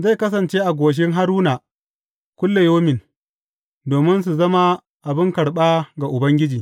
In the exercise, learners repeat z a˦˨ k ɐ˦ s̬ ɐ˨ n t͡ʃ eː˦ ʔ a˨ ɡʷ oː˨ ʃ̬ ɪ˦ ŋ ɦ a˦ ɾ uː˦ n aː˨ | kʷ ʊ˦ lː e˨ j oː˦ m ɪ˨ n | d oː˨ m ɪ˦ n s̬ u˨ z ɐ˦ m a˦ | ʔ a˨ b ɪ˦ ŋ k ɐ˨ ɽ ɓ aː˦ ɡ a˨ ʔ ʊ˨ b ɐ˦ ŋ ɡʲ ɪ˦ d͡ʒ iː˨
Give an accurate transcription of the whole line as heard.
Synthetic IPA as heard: z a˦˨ k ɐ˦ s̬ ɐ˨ n t͡ʃ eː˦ ʔ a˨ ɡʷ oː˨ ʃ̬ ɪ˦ ŋ ɦ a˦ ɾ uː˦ n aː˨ | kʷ ʊ˦ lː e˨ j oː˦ m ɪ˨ n | d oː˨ m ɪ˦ n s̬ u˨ z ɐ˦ m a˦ | ʔ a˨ b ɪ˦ ŋ k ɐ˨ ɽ ɓ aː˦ ɡ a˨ ʔ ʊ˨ b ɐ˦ ŋ ɡʲ ɪ˦ d͡ʒ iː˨

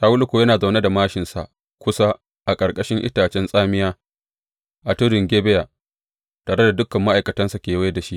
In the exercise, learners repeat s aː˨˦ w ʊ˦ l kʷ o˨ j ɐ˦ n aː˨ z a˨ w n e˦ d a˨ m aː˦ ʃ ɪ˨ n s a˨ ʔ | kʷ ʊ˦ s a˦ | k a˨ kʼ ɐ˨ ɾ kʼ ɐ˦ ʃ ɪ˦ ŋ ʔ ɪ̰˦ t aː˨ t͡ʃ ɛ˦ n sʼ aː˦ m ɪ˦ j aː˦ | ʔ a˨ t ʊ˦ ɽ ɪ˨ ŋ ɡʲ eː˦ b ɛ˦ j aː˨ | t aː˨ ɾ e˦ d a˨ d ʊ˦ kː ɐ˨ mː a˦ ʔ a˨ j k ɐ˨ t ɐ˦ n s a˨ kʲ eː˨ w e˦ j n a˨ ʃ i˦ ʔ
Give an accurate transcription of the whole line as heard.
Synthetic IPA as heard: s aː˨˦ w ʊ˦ l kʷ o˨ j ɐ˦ n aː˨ z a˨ w n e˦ d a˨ m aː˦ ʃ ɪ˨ n s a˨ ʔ | kʷ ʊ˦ s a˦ | ʔ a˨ kʼ ɐ˨ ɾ kʼ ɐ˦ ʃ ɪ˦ ŋ ʔ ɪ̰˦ t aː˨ t͡ʃ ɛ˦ n sʼ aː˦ m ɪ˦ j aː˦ | ʔ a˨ t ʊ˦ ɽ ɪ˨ ŋ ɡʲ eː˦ b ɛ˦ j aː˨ | t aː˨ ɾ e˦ d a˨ d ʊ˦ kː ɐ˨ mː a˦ ʔ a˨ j k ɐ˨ t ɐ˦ n s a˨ kʲ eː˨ w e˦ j d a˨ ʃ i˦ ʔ

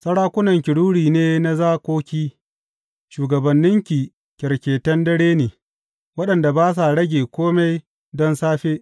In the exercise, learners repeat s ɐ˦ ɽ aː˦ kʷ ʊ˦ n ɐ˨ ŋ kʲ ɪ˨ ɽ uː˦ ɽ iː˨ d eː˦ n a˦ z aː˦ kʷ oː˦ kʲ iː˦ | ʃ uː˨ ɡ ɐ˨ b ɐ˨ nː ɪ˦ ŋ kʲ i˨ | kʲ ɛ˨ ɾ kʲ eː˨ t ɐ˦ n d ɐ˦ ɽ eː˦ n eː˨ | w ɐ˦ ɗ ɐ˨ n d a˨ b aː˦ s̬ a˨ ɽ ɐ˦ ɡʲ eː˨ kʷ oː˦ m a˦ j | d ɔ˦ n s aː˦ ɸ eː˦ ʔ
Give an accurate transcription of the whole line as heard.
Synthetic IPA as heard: s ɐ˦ ɽ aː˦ kʷ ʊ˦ n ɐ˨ ŋ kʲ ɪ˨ ɽ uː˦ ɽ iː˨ n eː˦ n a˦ z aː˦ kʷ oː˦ kʲ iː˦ | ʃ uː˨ ɡ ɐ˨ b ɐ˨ nː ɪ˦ ŋ kʲ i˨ | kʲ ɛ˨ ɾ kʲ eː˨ t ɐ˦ n d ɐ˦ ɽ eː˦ n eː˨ | w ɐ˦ ɗ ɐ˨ n d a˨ b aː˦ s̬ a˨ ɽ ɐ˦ ɡʲ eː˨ kʷ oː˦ m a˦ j | d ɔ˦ n s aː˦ ɸ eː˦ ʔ

